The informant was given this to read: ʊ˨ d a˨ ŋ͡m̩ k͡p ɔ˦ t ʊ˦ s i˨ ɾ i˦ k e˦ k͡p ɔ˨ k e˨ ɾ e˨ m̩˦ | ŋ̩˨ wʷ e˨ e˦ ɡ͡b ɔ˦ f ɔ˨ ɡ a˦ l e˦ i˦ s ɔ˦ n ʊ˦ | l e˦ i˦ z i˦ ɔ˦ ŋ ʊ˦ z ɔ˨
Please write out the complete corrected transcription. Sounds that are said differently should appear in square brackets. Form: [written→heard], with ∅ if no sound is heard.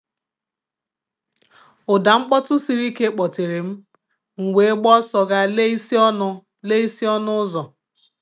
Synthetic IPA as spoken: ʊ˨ d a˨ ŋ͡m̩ k͡p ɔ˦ t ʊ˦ s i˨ ɾ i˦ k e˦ k͡p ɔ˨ [k→t] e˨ ɾ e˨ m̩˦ | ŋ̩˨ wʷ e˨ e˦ ɡ͡b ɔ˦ [f→s] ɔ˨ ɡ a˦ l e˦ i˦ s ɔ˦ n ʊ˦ | l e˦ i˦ [z→s] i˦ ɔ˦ [ŋ→n] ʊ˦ z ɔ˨